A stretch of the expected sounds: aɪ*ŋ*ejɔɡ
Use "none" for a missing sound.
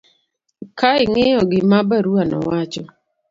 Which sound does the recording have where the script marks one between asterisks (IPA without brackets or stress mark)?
ŋ